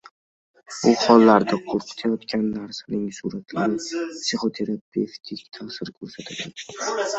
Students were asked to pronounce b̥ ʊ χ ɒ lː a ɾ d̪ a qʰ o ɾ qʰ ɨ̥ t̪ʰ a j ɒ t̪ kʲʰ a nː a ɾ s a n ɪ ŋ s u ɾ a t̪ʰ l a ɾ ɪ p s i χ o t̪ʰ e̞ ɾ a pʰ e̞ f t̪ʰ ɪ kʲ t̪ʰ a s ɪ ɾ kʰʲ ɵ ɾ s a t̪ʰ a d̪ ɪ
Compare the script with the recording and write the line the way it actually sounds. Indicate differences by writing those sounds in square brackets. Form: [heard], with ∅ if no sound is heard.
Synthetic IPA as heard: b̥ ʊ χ ɒ lː a ɾ d̪ a qʰ o ɾ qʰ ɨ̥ t̪ʰ a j ɒ t̪ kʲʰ a nː a ɾ s a n ɪ ŋ s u ɾ a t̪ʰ l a ɾ ɪ p s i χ o t̪ʰ e̞ ɾ a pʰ e̞ f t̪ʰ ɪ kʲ t̪ʰ a s ɪ ɾ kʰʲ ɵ ɾ s a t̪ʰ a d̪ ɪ